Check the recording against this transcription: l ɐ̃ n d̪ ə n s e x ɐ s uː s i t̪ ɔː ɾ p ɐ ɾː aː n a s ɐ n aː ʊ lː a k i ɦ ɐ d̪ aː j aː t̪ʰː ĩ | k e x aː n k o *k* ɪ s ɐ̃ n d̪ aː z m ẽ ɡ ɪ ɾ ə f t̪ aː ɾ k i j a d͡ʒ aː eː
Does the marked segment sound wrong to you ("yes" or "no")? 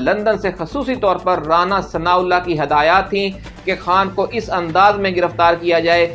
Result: yes